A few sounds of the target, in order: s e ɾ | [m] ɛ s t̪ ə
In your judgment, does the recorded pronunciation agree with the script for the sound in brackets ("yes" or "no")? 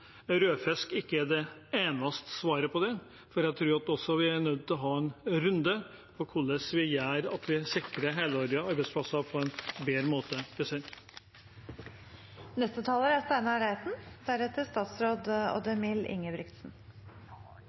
no